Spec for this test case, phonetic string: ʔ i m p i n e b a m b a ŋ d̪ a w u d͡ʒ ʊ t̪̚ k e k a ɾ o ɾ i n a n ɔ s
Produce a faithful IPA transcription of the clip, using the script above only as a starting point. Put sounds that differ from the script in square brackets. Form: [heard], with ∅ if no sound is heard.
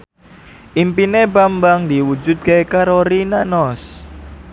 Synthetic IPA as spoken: ʔ i m p i n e b a m b a ŋ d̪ [i] w u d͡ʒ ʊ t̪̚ k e k a ɾ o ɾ i n a n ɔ s